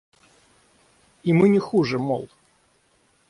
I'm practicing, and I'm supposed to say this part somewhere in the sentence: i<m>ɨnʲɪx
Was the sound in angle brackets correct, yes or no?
yes